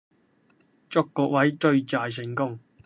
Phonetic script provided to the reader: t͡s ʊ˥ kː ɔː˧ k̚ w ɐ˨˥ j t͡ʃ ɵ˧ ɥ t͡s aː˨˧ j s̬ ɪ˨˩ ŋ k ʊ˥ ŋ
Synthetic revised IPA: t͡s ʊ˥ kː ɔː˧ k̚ w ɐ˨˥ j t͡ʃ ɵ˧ ɥ t͡s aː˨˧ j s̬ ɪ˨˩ ŋ k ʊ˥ ŋ